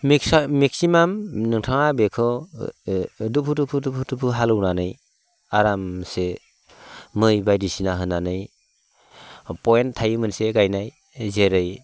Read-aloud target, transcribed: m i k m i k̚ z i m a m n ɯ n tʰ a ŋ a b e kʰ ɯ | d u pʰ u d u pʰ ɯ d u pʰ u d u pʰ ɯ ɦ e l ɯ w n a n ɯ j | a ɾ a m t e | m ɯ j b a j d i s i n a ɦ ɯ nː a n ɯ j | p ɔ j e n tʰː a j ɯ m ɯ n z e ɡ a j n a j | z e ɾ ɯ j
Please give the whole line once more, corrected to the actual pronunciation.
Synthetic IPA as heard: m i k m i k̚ s i m a m n ɯ ŋ tʰ a ŋ a b e kʰ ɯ | d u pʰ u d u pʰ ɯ d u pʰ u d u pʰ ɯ ɦ a l ɯ w n a n ɯ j | a ɾ a m s e | m ɯ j b a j d i s i n a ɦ ɯ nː a n ɯ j | p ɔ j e n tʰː a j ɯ m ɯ n s e ɡ a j n a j | z e ɾ ɯ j